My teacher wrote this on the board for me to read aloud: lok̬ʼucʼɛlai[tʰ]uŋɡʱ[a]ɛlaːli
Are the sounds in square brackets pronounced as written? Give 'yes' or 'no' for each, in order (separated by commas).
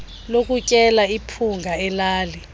no, yes